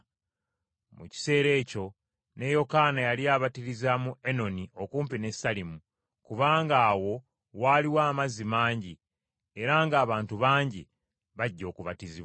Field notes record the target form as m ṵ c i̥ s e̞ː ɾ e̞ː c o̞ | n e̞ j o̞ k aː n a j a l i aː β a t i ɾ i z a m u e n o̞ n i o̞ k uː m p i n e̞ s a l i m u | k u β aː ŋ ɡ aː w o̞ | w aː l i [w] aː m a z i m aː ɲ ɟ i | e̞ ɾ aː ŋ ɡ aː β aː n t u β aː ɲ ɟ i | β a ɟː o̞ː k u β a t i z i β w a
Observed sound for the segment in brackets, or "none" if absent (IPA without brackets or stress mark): w